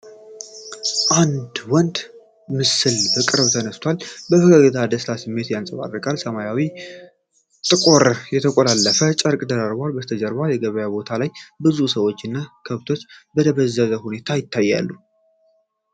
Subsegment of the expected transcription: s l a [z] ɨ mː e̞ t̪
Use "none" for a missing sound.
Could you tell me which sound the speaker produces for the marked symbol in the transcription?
s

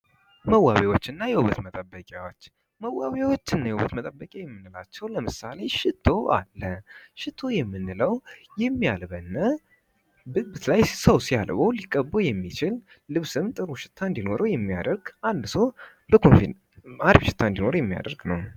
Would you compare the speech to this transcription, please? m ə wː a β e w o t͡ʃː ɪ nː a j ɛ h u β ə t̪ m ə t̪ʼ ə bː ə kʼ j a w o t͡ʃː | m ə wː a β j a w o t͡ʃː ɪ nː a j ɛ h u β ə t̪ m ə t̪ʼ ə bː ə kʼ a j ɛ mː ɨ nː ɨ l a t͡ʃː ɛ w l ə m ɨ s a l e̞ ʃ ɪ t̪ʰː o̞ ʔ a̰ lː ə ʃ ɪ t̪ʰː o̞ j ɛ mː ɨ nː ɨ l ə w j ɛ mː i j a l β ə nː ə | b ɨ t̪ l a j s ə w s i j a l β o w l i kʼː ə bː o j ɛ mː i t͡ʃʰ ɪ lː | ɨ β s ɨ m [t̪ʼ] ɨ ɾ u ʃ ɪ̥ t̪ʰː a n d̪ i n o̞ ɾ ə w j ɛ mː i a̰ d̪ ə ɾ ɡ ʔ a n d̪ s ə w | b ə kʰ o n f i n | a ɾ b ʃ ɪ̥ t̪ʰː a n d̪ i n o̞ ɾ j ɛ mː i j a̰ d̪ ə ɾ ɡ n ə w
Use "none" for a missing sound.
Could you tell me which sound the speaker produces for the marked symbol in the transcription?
t̪ʼ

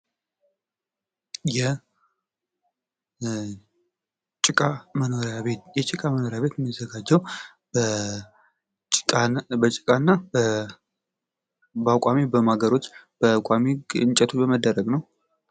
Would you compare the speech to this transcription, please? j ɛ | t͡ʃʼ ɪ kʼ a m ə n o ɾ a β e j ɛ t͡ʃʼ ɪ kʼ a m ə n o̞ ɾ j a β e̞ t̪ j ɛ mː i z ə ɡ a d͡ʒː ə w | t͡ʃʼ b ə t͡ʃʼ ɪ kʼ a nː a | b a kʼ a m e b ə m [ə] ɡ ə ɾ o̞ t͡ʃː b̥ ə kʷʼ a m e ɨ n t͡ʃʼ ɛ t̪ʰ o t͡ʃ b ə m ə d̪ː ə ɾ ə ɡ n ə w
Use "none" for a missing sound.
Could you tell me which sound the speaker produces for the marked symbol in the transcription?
a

